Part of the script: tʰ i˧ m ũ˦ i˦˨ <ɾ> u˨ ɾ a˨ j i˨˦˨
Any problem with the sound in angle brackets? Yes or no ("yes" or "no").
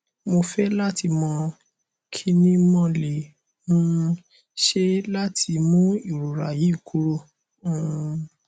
no